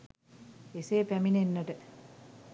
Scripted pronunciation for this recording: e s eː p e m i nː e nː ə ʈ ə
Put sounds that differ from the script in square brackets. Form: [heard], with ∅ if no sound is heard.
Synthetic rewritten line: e s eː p [æ] m i [n] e nː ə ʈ ə